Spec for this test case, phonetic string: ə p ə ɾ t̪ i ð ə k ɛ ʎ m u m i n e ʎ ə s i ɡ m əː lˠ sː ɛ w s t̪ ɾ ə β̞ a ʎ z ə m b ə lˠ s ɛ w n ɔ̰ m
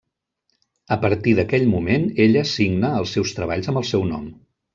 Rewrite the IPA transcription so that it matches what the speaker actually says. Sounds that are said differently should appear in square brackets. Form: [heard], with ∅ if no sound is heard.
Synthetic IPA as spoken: ə p ə ɾ t̪ i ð ə k ɛ ʎ m u m [e] n e ʎ ə s i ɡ [n] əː lˠ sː ɛ w s t̪ ɾ ə β̞ a ʎ z ə m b ə lˠ s ɛ w n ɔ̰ m